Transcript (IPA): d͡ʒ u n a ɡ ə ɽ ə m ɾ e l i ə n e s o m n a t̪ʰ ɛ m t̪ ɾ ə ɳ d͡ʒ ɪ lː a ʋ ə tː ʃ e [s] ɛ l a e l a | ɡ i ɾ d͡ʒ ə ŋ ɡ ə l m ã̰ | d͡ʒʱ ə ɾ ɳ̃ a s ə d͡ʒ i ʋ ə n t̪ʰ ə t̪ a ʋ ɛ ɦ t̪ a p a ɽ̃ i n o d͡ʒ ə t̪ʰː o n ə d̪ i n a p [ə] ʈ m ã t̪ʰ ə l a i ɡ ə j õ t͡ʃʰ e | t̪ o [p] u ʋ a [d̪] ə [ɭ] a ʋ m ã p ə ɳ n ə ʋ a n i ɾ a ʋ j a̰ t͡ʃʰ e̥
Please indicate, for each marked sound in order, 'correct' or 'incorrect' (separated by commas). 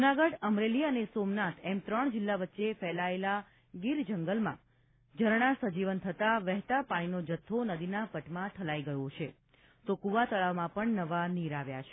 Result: incorrect, correct, incorrect, incorrect, correct